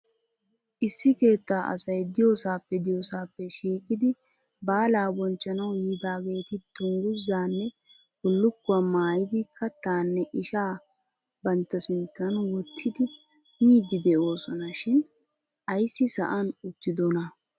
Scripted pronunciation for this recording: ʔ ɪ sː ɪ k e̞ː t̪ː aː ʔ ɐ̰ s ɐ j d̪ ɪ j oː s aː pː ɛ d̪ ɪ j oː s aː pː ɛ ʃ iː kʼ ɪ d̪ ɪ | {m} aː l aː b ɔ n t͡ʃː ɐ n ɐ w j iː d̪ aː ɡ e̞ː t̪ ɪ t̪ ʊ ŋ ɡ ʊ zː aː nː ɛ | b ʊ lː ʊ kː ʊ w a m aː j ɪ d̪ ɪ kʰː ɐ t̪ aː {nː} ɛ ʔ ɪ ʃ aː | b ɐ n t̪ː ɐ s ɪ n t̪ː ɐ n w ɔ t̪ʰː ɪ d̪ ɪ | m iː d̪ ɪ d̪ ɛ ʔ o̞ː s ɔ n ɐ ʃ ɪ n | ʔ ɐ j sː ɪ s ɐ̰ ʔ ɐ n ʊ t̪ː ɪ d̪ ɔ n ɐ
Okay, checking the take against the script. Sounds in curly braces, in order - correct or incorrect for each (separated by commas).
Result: incorrect, correct